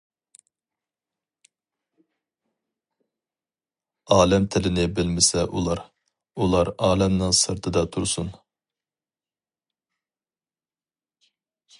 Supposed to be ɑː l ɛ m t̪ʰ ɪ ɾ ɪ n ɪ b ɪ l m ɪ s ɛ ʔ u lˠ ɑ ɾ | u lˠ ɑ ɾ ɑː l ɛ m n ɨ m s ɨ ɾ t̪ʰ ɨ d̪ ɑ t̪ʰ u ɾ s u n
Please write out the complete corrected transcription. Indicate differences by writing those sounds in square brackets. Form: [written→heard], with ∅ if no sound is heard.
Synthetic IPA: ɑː l ɛ m t̪ʰ ɪ [ɾ→l] ɪ n ɪ b ɪ l m ɪ s ɛ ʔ u lˠ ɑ ɾ | u lˠ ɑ ɾ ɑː l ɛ m n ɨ [m→ŋ] s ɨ ɾ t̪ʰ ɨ d̪ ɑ t̪ʰ u ɾ s u n